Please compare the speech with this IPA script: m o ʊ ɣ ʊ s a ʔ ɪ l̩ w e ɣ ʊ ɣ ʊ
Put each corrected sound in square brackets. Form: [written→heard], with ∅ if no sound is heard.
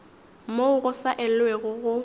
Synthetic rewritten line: m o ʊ ɣ ʊ s a ʔ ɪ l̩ w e ɣ ʊ ɣ ʊ